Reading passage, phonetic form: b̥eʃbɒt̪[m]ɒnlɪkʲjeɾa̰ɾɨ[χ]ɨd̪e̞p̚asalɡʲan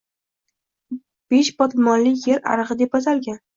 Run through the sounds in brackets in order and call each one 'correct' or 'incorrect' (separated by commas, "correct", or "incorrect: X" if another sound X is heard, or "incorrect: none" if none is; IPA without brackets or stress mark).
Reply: correct, incorrect: ʁ